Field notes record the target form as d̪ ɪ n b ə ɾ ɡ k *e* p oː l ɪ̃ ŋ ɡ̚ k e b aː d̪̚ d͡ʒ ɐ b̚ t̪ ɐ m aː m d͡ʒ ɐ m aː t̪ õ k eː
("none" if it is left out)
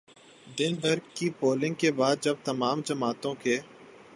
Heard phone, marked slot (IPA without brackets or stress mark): i